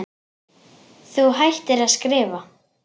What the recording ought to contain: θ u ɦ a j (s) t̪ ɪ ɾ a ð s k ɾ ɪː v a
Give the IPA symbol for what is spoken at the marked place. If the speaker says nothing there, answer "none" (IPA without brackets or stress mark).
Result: h